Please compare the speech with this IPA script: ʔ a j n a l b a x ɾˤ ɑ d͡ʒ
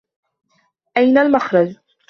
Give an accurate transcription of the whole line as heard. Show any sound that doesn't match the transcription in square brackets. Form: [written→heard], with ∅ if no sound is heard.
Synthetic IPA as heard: ʔ a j n a l [b→m] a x ɾˤ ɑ d͡ʒ